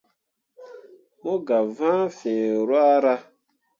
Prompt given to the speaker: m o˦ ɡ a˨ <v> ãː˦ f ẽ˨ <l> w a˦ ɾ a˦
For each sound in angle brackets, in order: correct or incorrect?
correct, incorrect: ɾ

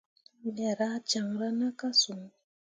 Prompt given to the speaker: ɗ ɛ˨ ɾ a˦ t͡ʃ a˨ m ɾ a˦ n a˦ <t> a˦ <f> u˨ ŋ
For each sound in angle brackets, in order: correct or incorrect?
incorrect: k, incorrect: s

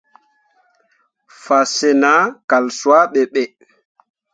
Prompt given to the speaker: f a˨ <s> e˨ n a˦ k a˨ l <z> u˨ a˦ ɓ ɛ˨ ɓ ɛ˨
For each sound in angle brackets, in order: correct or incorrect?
correct, incorrect: s

